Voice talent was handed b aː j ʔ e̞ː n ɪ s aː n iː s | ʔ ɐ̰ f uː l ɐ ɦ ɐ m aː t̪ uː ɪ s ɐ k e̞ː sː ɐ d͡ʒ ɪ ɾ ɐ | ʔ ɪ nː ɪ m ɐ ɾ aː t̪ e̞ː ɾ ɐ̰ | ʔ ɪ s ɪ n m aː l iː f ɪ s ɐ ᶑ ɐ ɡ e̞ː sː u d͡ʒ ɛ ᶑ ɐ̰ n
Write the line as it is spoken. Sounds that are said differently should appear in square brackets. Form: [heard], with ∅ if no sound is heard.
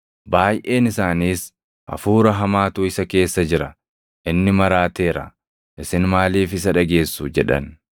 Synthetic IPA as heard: b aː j ʔ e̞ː n ɪ s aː n iː s | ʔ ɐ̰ f uː [ɾ] ɐ ɦ ɐ m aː t̪ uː ɪ s ɐ k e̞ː sː ɐ d͡ʒ ɪ ɾ ɐ | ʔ ɪ nː ɪ m ɐ ɾ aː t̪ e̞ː ɾ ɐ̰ | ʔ ɪ s ɪ n m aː l iː f ɪ s ɐ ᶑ ɐ ɡ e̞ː sː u d͡ʒ ɛ ᶑ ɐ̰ n